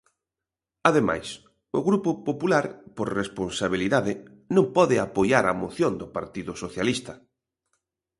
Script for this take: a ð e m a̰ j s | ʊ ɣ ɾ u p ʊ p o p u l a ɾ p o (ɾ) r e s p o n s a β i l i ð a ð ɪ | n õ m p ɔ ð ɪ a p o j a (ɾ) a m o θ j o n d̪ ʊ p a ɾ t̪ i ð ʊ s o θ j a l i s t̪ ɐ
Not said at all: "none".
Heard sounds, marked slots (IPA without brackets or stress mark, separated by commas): ɾ, ɾ